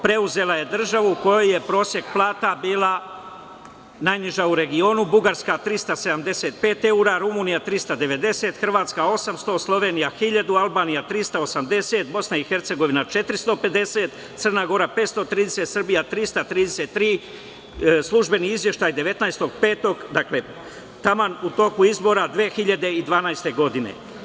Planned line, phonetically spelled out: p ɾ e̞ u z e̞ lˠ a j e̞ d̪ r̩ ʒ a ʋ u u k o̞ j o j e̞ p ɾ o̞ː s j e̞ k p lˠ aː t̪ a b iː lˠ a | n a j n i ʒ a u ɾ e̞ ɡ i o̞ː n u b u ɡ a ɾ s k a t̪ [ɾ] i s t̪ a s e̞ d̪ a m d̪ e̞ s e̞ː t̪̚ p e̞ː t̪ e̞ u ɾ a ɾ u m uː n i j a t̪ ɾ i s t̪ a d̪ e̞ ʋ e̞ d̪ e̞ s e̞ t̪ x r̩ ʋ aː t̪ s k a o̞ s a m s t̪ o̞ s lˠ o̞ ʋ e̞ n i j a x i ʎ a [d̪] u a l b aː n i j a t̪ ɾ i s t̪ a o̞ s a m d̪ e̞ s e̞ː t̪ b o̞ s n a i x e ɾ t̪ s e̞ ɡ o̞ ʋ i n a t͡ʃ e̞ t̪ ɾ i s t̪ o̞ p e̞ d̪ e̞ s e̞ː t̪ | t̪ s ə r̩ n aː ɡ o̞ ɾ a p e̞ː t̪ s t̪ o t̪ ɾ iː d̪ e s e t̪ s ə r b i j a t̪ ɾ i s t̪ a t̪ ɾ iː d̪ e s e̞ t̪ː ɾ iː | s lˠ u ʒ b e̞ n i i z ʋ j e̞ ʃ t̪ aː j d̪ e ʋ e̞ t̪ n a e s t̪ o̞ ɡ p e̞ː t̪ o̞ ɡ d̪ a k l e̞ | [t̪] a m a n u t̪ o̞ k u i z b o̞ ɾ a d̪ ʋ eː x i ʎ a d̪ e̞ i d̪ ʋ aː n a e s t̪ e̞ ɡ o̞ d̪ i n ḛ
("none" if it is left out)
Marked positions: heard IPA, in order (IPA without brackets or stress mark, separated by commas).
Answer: ɾ, d̪, t̪